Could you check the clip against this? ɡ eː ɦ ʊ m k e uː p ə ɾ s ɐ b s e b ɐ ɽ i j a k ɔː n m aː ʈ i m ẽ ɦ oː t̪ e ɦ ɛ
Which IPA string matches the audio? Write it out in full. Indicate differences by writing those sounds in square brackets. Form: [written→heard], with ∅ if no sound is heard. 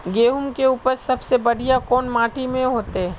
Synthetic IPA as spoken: ɡ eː ɦ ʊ m k e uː p ə ɾ s ɐ b s e b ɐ ɽ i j a k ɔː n m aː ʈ i m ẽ ɦ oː t̪ e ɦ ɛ